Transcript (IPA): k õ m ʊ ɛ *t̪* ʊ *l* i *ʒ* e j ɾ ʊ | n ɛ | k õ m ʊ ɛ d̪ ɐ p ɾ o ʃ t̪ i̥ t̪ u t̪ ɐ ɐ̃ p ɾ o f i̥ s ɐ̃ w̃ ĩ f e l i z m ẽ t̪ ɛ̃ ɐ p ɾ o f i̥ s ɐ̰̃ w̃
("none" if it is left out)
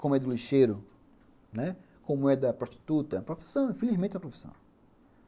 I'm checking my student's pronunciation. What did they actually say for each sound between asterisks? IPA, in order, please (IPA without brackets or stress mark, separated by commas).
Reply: d̪, l, ʃ